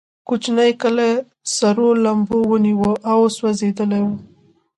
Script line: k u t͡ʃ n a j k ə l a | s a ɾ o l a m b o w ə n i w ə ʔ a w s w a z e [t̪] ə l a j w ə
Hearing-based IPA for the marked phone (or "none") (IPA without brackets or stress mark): d̪